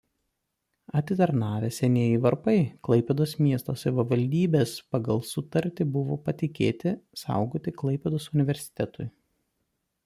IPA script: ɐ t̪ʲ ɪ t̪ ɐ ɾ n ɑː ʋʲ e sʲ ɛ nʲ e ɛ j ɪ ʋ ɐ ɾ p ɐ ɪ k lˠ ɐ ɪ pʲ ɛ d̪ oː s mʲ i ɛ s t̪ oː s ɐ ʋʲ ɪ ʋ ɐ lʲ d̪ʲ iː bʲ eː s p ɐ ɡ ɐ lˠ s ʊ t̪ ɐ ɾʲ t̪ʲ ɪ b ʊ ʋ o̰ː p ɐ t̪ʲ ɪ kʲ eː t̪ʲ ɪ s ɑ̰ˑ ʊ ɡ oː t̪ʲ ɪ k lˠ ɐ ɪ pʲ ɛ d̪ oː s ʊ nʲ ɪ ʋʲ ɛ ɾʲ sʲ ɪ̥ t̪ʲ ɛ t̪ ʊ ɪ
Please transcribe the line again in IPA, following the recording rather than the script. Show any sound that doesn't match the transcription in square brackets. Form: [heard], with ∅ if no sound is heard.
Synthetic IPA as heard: ɐ t̪ʲ ɪ t̪ ɐ ɾ n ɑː ʋʲ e sʲ ɛ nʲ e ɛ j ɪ ʋ ɐ ɾ p ɐ ɪ k lˠ ɐ ɪ pʲ ɛ d̪ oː s mʲ i ɛ s t̪ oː s ɐ ʋʲ ɪ ʋ ɐ lʲ d̪ʲ iː bʲ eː s p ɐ ɡ ɐ lˠ s ʊ t̪ ɐ ɾʲ t̪ʲ ɪ b ʊ ʋ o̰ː p ɐ t̪ʲ ɪ kʲ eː t̪ʲ ɪ s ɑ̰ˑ ʊ ɡ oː t̪ʲ ɪ k lˠ ɐ ɪ pʲ ɛ d̪ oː s ʊ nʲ ɪ ʋʲ ɛ ɾʲ sʲ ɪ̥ t̪ʲ ɛ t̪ ʊ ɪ